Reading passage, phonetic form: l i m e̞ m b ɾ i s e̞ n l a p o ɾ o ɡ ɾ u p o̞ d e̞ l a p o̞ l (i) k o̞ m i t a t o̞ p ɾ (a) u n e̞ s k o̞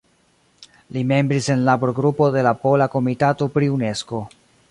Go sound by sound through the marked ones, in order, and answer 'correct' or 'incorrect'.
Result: incorrect: a, incorrect: i

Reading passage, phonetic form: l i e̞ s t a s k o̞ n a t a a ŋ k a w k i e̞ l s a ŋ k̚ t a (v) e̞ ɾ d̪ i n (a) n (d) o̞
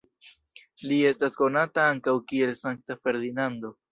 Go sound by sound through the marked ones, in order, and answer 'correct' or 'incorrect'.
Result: incorrect: f, correct, correct

